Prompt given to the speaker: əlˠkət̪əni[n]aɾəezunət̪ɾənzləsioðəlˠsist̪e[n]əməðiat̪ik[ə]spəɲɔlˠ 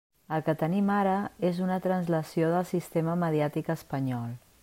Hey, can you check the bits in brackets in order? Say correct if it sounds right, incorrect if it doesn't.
incorrect, incorrect, correct

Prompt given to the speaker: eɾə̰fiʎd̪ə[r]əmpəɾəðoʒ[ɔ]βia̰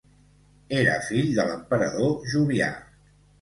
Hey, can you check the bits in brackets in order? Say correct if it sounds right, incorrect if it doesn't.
incorrect, incorrect

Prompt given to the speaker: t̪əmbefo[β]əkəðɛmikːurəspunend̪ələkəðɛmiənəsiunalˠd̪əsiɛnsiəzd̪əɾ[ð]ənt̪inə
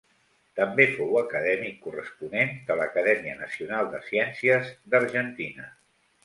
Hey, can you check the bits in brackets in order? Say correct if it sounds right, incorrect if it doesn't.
incorrect, incorrect

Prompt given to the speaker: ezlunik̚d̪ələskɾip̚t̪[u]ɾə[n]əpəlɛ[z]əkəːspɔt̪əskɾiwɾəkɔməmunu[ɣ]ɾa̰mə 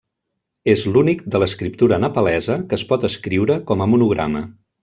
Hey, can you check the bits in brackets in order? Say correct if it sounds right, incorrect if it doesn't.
correct, correct, correct, correct

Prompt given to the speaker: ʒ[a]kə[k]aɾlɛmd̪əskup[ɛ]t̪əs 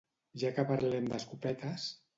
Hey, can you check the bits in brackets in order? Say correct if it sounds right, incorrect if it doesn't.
correct, incorrect, correct

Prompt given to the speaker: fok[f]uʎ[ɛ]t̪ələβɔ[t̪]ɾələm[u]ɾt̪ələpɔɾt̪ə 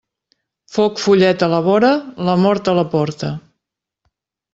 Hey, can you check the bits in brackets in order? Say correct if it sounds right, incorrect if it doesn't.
correct, correct, incorrect, incorrect

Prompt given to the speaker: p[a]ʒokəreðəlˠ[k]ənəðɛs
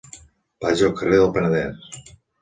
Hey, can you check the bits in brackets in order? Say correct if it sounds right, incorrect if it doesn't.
correct, incorrect

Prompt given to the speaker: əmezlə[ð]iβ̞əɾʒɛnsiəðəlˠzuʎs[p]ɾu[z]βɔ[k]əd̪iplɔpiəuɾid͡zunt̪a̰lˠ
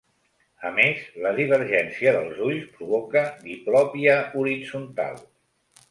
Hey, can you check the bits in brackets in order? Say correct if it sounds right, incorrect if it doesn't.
correct, correct, incorrect, correct

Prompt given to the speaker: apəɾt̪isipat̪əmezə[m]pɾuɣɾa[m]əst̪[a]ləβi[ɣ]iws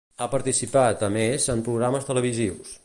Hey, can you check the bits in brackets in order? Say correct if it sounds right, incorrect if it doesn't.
correct, correct, incorrect, incorrect

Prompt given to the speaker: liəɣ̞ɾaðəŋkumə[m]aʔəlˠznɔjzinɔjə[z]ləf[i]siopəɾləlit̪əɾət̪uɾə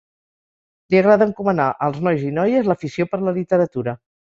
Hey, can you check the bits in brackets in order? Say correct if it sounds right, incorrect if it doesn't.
incorrect, correct, correct

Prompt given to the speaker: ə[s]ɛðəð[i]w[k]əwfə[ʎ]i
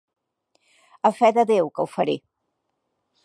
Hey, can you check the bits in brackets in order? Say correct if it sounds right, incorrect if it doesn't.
incorrect, incorrect, correct, incorrect

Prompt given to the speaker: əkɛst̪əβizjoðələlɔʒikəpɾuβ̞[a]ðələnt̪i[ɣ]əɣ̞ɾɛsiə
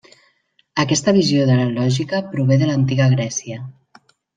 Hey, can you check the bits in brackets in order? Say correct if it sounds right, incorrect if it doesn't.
incorrect, correct

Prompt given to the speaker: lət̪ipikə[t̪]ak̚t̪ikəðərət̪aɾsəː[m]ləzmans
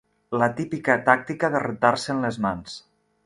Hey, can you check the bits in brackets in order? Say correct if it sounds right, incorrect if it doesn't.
correct, incorrect

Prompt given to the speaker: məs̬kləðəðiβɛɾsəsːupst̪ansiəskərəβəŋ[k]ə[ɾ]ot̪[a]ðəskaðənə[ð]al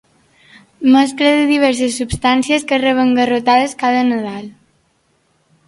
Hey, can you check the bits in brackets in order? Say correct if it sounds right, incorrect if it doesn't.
incorrect, incorrect, correct, correct

